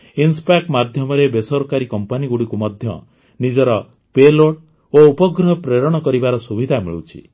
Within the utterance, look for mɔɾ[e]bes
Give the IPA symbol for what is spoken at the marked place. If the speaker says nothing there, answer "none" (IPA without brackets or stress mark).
e